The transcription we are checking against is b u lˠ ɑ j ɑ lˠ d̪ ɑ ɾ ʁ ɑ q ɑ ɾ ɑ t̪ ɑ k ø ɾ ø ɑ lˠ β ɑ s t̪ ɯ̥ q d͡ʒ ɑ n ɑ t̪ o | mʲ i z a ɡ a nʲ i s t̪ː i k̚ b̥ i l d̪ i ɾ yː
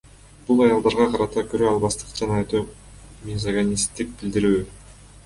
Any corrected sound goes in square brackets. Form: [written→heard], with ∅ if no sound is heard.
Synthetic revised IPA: b u lˠ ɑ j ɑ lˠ d̪ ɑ ɾ ʁ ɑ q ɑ ɾ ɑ t̪ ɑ k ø ɾ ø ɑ lˠ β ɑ s t̪ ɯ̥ q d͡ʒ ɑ n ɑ t̪ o | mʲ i z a ɡ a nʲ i s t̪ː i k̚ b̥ i l d̪ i ɾ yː